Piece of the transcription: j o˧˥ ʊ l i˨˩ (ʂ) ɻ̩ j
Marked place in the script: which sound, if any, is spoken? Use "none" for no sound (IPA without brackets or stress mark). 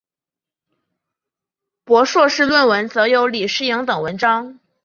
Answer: ʂ